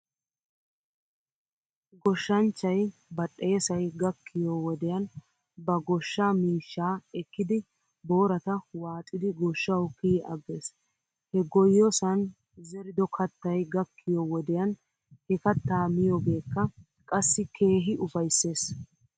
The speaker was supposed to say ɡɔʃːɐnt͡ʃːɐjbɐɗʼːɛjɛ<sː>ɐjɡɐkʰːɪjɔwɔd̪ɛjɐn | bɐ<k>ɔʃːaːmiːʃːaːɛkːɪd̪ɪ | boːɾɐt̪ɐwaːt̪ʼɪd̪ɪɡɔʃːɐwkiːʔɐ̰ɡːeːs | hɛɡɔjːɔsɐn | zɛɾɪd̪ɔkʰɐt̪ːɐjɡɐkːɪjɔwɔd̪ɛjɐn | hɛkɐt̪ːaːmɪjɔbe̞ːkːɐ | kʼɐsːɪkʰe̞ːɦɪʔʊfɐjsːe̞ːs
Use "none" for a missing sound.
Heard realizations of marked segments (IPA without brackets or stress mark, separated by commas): s, ɡ